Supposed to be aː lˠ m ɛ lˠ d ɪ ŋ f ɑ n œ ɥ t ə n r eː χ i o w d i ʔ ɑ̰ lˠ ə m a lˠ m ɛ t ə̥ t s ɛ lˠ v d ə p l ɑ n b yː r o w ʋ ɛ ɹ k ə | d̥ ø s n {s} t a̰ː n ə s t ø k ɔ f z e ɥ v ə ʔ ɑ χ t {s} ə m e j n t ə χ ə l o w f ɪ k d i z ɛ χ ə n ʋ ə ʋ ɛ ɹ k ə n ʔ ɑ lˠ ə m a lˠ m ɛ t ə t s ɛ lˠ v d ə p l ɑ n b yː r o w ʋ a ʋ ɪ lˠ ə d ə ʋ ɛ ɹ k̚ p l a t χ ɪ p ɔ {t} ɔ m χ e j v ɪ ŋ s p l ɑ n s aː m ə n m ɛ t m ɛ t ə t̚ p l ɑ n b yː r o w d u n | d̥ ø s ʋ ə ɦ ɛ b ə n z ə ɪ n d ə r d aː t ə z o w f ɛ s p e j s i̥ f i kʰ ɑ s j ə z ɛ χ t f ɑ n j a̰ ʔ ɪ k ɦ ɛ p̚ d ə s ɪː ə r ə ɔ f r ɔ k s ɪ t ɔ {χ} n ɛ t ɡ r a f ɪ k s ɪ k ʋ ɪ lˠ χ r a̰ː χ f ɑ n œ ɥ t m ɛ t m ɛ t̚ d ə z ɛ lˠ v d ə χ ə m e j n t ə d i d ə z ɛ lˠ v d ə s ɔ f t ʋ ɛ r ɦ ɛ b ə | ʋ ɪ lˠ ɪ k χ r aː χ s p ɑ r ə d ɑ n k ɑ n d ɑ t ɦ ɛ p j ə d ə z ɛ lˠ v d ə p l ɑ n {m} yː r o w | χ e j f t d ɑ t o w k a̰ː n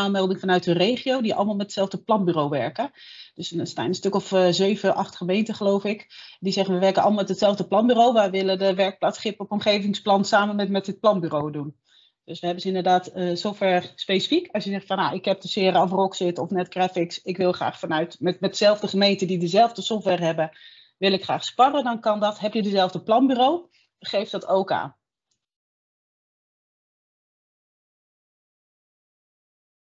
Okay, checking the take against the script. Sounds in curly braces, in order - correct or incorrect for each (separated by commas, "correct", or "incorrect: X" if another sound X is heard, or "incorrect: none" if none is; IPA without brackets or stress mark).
correct, incorrect: χ, incorrect: p, incorrect: f, incorrect: b